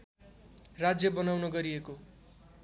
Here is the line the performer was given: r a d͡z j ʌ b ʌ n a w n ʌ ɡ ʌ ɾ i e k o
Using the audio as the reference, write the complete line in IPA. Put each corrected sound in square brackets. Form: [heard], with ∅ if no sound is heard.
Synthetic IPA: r a d͡z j ʌ b ʌ n a w n ʌ ɡ ʌ ɾ i e k o